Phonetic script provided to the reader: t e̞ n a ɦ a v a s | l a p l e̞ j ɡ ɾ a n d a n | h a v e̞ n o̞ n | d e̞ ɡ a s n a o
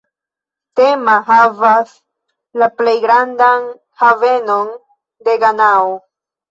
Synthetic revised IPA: t e̞ m a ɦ a v a s | l a p l e̞ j ɡ ɾ a n d a n | h a v e̞ n o̞ n | d e̞ ɡ a n a o